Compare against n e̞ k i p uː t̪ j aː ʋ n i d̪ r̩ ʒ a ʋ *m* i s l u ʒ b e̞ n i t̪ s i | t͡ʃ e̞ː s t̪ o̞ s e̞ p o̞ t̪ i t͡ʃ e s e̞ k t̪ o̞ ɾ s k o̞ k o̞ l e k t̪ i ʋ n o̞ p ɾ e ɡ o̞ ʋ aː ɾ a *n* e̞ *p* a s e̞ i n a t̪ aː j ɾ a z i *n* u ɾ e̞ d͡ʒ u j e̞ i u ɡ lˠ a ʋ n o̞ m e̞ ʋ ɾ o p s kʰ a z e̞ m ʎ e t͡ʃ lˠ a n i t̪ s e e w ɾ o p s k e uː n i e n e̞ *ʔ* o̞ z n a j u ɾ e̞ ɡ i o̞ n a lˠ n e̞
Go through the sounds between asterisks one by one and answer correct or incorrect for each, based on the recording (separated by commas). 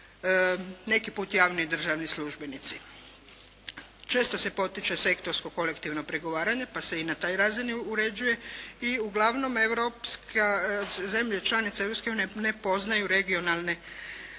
incorrect, incorrect, correct, correct, incorrect